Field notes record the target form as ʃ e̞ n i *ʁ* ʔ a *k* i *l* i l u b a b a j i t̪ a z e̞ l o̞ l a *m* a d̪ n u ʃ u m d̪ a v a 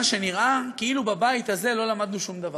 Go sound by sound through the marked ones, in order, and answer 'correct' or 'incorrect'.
correct, correct, incorrect: none, correct

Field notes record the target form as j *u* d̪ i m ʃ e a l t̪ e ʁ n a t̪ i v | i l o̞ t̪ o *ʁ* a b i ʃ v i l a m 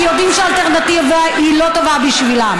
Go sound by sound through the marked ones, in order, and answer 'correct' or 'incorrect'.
incorrect: o, incorrect: v

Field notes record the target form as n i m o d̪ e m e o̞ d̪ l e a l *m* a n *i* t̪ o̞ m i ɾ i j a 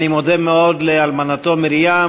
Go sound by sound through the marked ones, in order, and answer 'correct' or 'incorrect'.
correct, incorrect: a

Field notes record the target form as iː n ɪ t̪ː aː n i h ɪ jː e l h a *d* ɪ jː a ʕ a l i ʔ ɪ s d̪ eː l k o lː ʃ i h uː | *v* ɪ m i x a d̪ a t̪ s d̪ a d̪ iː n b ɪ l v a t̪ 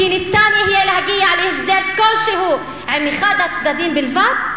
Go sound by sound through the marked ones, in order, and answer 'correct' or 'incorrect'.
incorrect: ɡ, incorrect: ʕ

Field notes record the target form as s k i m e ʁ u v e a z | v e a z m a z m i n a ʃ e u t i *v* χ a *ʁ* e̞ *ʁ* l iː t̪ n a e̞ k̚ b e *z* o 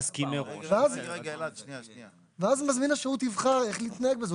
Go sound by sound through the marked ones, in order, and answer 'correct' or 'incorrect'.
correct, correct, incorrect: χ, correct

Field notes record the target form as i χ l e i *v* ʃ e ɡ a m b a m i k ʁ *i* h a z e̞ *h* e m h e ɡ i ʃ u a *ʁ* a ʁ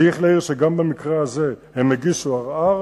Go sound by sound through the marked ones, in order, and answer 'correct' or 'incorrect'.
incorrect: ʁ, incorrect: e, correct, correct

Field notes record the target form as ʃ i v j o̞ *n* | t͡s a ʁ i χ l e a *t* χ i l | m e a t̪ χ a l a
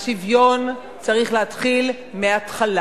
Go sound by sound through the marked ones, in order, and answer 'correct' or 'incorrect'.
correct, correct

